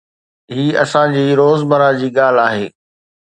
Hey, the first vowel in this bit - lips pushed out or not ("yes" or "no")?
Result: no